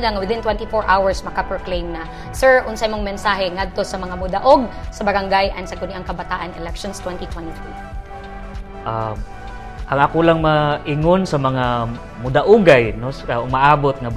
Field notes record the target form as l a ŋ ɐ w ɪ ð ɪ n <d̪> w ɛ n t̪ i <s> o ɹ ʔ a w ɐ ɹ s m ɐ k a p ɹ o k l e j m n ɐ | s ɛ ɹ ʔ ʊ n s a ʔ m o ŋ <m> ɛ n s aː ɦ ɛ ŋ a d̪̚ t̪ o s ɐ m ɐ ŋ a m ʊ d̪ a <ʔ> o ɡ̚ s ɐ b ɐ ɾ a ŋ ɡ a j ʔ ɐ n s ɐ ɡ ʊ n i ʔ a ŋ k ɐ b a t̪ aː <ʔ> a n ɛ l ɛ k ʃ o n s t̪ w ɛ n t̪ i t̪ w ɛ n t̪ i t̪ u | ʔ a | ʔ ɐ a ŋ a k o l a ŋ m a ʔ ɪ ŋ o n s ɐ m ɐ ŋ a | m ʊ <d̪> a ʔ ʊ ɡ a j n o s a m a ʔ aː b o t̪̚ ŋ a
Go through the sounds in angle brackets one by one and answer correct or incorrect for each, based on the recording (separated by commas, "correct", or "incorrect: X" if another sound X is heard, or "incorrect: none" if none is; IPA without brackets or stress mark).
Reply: incorrect: t̪, incorrect: f, correct, correct, correct, correct